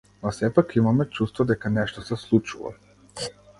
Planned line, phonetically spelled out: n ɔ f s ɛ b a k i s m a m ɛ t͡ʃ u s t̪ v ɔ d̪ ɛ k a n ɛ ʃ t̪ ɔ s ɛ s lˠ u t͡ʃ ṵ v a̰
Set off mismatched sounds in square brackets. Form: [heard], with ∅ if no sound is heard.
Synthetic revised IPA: n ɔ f s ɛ [p] a k i [∅] m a m ɛ t͡ʃ u s t̪ v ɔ d̪ ɛ k a n ɛ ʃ t̪ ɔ s ɛ s lˠ u t͡ʃ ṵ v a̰